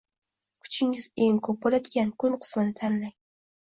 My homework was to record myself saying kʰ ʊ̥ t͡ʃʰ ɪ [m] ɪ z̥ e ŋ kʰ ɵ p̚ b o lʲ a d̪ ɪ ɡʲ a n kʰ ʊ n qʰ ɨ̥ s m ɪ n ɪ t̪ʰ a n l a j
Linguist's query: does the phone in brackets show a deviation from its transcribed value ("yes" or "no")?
yes